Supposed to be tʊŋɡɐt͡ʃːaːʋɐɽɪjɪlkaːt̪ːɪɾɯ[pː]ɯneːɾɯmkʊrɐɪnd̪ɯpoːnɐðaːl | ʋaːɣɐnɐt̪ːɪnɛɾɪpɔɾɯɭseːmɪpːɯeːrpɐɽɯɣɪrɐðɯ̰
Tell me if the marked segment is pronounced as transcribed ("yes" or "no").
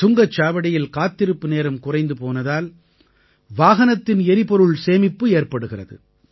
yes